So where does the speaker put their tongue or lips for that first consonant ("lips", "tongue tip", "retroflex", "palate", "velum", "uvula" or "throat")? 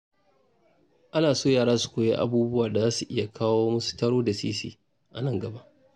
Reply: throat